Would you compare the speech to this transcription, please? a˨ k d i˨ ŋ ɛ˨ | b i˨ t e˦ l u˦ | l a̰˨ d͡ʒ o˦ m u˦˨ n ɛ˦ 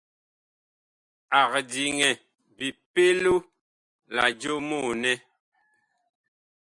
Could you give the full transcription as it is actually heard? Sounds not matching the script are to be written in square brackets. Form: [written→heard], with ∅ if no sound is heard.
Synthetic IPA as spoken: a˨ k d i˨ ŋ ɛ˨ | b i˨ [t→p] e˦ l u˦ | l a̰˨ d͡ʒ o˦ m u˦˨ n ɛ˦